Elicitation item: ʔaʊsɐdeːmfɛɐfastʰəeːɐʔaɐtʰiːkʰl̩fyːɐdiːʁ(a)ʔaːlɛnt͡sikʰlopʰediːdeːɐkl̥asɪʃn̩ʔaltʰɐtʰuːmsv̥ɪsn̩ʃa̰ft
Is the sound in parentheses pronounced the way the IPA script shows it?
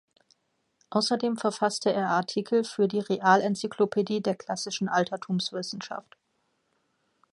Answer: no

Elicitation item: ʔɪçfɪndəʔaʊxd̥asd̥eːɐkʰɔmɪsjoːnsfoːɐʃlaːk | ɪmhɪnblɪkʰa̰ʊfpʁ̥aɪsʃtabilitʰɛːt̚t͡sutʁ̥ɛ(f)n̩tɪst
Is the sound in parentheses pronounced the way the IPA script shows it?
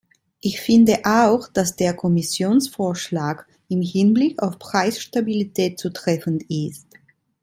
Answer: yes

